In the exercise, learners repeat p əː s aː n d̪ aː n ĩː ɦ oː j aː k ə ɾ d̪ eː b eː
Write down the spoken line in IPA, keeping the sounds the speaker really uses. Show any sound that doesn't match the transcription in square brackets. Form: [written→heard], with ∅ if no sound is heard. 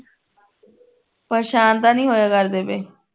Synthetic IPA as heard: p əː [s→ʃ] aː n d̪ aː n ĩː ɦ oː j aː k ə ɾ d̪ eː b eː